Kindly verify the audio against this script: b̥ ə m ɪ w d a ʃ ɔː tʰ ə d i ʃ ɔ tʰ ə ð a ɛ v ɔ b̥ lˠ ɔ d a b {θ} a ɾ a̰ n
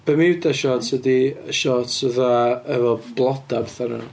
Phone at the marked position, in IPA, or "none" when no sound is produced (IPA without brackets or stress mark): θ